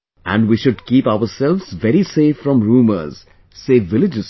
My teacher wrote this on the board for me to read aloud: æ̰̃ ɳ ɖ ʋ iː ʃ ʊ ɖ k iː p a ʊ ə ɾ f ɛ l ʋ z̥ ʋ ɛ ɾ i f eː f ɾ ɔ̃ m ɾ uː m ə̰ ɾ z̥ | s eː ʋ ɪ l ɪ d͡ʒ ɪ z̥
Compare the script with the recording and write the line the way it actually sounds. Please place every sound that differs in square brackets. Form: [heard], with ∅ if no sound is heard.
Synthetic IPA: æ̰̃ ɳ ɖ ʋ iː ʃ ʊ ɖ k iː p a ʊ ə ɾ [s] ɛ l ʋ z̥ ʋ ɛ ɾ i [s] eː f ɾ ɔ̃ m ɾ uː m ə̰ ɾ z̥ | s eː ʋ ɪ l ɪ d͡ʒ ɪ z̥